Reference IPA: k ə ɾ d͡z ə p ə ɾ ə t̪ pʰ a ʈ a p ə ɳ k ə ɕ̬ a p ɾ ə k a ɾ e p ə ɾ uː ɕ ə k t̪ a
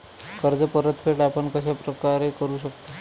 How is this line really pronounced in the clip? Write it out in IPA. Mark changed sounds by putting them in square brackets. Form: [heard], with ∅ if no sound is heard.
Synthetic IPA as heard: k ə ɾ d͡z ə p ə ɾ ə t̪ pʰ [e] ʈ a p ə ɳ k ə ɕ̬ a p ɾ ə k a ɾ e [k] ə ɾ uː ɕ ə k t̪ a